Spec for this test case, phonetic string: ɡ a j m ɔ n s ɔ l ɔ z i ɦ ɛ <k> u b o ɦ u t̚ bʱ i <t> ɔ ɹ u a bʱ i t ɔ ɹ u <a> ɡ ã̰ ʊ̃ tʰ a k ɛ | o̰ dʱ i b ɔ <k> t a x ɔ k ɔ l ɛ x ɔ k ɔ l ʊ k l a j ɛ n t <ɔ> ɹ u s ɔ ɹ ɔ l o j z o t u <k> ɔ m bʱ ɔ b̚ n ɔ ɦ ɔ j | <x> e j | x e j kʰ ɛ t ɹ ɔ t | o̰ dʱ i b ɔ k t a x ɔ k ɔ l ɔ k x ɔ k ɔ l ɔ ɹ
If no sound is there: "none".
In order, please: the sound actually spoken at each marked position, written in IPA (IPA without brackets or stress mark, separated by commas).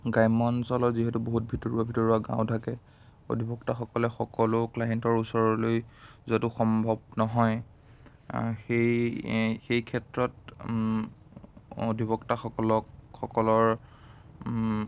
t, t, a, k, ɔ, x, x